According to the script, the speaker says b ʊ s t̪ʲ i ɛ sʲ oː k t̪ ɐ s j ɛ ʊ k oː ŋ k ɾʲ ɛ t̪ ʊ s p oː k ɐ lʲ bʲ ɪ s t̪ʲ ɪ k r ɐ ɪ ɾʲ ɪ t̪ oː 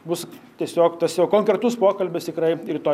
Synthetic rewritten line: b ʊ s t̪ʲ i ɛ sʲ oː k t̪ ɐ s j ɛ ʊ k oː ŋ k ɾʲ ɛ t̪ ʊ s p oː k ɐ lʲ bʲ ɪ s t̪ʲ ɪ k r ɐ ɪ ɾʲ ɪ t̪ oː